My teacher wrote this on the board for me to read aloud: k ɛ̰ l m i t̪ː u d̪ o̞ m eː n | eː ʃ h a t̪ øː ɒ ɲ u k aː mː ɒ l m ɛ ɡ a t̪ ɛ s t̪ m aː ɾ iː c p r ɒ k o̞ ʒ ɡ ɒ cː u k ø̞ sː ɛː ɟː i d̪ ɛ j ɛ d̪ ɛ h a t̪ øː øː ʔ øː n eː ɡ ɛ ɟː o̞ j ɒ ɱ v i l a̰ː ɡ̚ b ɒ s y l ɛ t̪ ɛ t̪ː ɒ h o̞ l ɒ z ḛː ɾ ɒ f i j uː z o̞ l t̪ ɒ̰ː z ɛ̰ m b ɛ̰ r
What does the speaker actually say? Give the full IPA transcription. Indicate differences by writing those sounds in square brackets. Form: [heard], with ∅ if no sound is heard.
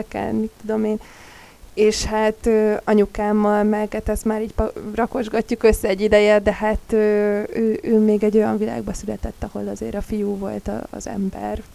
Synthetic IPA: k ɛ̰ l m i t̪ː u d̪ o̞ m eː n | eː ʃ h a t̪ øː ɒ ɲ u k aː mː ɒ l m ɛ ɡ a t̪ ɛ s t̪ m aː ɾ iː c p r ɒ k o̞ ʒ ɡ ɒ cː u k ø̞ sː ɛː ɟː i d̪ ɛ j ɛ d̪ ɛ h a t̪ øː øː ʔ øː [m] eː ɡ ɛ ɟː o̞ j ɒ ɱ v i l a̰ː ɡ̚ b ɒ s y l ɛ t̪ ɛ t̪ː ɒ h o̞ l ɒ z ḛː ɾ ɒ f i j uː [v] o̞ l t̪ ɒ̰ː z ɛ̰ m b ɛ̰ r